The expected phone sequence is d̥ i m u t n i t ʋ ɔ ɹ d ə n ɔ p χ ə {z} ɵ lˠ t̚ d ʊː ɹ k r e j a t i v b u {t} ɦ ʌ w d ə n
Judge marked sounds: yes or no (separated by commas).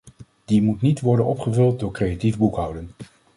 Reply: no, no